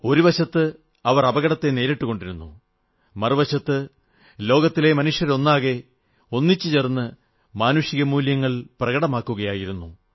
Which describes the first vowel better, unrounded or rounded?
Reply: rounded